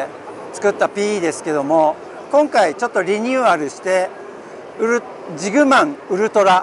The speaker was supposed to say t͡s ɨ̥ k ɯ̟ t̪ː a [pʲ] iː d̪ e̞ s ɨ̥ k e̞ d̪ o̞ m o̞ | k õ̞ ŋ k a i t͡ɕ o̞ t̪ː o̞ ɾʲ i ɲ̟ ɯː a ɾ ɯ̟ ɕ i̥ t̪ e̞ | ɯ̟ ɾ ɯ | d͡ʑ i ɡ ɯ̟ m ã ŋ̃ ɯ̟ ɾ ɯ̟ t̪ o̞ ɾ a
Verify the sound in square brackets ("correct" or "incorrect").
correct